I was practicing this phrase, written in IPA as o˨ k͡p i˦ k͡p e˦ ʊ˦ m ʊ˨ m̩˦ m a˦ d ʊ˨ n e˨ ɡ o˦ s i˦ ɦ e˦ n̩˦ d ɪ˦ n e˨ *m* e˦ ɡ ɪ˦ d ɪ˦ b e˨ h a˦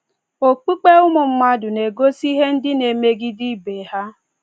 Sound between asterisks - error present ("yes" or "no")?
no